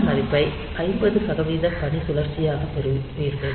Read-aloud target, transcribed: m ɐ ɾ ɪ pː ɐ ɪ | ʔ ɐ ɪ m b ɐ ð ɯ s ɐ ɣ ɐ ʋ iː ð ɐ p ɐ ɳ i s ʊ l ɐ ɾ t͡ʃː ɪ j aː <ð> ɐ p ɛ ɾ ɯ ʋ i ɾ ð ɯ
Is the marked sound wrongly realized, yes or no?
yes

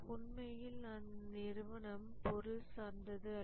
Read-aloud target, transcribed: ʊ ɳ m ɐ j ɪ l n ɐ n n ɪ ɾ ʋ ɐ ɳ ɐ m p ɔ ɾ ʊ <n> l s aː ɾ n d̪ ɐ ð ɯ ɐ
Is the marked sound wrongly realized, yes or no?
yes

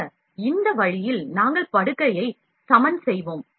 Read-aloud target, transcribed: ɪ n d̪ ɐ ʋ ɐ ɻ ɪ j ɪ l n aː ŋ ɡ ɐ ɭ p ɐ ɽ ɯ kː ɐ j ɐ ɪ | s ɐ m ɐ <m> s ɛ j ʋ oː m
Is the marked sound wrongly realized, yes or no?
yes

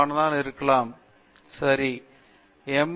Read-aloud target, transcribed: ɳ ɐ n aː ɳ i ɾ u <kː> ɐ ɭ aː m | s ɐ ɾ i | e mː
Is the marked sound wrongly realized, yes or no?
no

